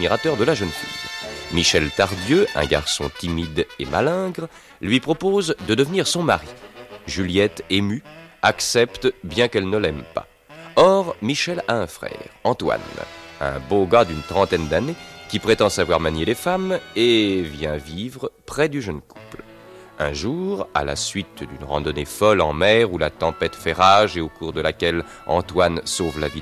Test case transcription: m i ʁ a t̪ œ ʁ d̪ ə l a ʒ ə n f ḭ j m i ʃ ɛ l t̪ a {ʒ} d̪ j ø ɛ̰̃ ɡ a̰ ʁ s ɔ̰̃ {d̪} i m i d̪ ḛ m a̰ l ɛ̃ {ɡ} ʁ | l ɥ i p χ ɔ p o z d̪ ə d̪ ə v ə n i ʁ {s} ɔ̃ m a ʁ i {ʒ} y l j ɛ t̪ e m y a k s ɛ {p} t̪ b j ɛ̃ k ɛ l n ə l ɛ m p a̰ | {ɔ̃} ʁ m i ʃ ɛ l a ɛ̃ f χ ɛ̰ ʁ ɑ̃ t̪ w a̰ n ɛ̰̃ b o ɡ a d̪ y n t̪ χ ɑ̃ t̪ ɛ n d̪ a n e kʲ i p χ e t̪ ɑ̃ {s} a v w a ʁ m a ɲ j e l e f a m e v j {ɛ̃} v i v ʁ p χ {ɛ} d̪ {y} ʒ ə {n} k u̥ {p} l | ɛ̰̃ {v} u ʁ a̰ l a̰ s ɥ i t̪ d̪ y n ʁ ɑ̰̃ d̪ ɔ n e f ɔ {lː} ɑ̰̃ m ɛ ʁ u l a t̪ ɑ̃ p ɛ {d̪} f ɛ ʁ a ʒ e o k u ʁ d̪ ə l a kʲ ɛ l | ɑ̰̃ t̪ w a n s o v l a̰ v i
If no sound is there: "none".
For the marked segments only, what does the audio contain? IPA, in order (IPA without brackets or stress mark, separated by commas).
ʁ, t̪, ɡ, s, ʒ, p, ɔ, s, ɛ̃, ɛ, y, n, p, ʒ, l, t̪